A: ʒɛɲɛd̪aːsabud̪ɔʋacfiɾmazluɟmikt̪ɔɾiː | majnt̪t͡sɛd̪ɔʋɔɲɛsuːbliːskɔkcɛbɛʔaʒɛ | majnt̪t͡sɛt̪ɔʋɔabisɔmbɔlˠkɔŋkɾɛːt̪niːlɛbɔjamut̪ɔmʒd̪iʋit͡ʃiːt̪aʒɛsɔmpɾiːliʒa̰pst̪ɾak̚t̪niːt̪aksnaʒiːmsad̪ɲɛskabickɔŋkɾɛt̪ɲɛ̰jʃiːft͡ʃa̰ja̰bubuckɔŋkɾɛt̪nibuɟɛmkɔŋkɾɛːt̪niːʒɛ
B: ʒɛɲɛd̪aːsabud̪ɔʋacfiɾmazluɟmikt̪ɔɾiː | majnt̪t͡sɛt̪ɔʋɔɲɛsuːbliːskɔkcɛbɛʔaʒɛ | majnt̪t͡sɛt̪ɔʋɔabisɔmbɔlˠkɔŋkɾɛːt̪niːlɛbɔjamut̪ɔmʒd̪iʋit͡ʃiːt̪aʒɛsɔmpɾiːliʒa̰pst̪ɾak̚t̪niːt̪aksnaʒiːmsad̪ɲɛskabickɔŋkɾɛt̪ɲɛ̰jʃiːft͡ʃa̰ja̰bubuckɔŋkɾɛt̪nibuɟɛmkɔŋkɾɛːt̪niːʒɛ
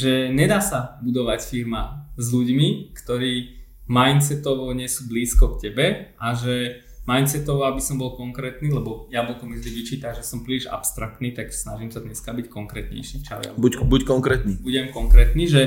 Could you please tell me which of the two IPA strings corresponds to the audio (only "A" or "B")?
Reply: B